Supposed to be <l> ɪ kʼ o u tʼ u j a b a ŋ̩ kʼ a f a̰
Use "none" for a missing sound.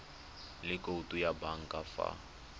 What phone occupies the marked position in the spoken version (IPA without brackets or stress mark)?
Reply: l